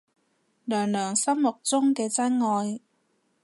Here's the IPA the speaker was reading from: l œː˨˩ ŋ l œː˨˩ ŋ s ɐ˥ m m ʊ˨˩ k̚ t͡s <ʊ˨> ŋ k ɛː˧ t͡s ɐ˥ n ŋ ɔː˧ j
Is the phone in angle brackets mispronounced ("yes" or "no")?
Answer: yes